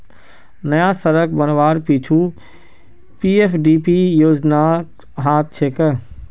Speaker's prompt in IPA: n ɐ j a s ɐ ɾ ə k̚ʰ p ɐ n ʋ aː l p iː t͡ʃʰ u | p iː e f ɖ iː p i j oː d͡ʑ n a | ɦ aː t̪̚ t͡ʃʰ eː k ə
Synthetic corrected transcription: n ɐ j a s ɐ ɾ ə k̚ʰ b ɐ n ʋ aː ɾ p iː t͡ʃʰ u | p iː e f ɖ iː p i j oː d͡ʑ n a | ɦ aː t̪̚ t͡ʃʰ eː k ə